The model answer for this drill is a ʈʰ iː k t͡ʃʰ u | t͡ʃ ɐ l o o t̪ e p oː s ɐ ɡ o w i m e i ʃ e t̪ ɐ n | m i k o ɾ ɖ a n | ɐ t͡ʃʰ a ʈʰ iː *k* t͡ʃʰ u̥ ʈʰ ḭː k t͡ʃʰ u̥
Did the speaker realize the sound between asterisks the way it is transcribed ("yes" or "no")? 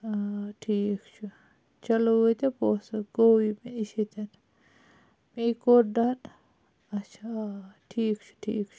yes